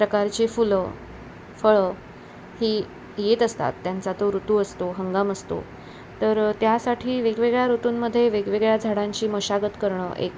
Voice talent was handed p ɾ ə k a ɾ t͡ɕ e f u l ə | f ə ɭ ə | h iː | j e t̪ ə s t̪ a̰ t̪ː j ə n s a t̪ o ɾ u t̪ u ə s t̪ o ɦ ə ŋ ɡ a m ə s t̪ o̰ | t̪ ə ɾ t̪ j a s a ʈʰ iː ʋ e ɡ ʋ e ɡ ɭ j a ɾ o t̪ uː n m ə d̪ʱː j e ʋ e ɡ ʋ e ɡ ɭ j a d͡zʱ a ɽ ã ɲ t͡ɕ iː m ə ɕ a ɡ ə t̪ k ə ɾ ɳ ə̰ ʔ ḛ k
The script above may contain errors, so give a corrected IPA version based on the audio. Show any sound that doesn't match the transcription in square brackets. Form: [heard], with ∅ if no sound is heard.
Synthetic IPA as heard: p ɾ ə k a ɾ t͡ɕ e f u l ə | f ə ɭ ə | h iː | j e t̪ ə s t̪ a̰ t̪ː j [a] n [t͡s] a t̪ o ɾ u t̪ u ə s t̪ o ɦ ə ŋ ɡ a m ə s t̪ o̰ | t̪ ə ɾ t̪ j a s a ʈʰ iː ʋ e ɡ ʋ e ɡ ɭ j a ɾ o t̪ uː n m ə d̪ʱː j e ʋ e ɡ ʋ e ɡ ɭ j a d͡zʱ a ɽ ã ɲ t͡ɕ iː m ə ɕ a ɡ ə t̪ k ə ɾ ɳ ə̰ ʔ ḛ k